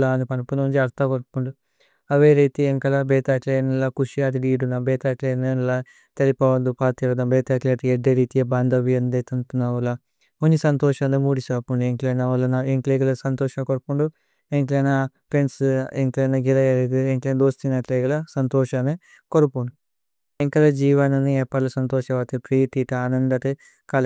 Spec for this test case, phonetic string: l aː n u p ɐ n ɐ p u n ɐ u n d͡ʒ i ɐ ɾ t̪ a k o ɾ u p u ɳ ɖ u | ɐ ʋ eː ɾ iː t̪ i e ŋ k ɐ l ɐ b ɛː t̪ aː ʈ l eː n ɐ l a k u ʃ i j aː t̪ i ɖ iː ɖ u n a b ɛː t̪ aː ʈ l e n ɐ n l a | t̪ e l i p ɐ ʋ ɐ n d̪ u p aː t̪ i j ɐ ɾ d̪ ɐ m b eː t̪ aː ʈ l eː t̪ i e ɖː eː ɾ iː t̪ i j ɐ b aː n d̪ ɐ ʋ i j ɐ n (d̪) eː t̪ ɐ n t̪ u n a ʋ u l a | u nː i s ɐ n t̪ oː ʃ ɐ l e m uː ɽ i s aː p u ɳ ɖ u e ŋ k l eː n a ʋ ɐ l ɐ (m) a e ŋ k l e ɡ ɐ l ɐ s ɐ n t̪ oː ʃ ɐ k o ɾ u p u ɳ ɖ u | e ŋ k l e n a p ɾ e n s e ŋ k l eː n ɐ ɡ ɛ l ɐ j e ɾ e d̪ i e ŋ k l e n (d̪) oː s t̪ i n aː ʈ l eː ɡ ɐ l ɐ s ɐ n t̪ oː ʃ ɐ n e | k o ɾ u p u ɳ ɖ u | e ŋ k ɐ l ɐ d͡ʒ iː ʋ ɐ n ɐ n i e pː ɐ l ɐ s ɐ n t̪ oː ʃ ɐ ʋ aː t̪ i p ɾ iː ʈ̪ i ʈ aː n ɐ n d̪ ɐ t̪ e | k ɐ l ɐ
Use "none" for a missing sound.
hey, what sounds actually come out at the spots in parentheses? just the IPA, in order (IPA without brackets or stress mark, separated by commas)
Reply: d̪, n, d̪